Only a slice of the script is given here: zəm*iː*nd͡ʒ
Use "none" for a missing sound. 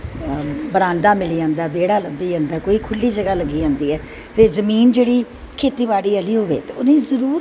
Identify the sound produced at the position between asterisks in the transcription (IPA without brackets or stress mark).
iː